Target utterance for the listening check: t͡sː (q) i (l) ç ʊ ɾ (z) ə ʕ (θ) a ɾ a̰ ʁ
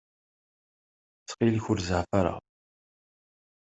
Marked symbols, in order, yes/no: yes, yes, yes, no

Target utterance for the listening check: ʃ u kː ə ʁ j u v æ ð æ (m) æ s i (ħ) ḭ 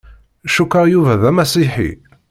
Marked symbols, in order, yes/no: yes, yes

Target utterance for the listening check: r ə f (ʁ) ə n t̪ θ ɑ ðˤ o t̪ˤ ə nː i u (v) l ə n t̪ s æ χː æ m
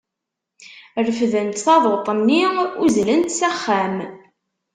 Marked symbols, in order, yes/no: no, no

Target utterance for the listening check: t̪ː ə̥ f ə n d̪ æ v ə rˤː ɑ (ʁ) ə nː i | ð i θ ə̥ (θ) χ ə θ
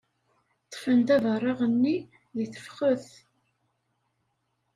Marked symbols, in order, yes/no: yes, no

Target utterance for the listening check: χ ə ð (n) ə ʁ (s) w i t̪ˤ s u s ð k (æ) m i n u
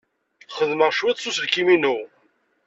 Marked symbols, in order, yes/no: no, no, no

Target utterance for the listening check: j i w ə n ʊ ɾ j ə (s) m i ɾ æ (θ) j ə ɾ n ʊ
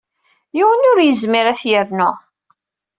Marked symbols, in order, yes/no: no, yes

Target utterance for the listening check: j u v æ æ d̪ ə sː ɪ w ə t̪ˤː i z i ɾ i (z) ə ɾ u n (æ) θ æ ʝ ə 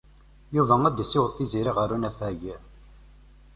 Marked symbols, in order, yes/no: no, yes

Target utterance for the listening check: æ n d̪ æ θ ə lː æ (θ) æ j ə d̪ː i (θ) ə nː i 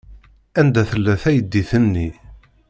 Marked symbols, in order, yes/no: yes, yes

